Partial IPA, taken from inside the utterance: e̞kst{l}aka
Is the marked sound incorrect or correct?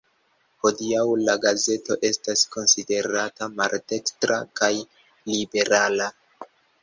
incorrect